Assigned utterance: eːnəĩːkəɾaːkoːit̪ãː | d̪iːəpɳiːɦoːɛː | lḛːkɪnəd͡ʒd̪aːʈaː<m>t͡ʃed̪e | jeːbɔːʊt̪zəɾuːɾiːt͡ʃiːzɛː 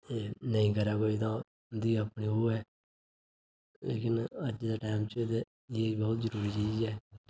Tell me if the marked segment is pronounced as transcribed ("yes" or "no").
yes